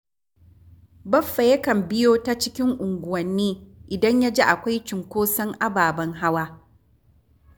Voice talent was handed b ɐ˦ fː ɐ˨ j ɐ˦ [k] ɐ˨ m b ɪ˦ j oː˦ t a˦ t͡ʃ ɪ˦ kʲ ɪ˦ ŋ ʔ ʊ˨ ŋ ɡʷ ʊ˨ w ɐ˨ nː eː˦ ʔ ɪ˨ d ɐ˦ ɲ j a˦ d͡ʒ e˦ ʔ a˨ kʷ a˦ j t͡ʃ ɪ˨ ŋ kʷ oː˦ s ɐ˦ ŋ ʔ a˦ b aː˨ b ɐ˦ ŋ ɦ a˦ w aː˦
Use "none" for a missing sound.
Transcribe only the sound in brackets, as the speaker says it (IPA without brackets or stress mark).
k